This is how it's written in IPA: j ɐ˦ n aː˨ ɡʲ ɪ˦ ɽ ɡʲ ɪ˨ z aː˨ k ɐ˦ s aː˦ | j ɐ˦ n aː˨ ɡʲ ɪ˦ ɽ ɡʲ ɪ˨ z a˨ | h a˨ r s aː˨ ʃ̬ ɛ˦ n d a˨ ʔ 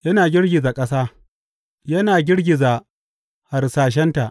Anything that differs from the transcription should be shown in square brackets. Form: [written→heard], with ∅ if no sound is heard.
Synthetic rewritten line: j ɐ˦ n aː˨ ɡʲ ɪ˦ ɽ ɡʲ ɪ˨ z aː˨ [k→kʼ] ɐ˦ s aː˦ | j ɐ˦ n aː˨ ɡʲ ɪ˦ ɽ ɡʲ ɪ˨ z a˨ | h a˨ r s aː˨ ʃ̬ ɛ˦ n [d→t] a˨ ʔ